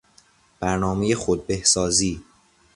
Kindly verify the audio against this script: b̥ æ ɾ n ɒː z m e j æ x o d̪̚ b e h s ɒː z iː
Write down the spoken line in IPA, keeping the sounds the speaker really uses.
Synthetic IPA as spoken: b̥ æ ɾ n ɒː m e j e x o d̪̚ b e h s ɒː z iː